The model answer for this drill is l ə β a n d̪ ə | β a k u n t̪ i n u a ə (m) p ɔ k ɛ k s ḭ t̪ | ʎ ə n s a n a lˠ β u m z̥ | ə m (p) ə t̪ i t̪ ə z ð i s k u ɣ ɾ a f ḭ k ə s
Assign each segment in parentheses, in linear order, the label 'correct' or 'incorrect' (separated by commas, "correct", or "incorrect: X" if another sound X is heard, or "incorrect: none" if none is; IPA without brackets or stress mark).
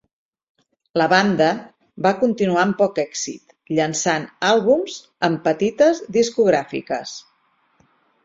correct, correct